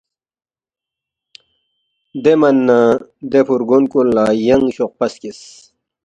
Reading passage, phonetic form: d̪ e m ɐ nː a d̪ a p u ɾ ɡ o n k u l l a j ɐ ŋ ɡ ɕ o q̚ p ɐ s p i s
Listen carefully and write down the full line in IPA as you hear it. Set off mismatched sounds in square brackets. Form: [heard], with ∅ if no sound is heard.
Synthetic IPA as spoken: d̪ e m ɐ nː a d̪ [e] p u ɾ ɡ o n k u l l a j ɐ ŋ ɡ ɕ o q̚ p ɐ s [k] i s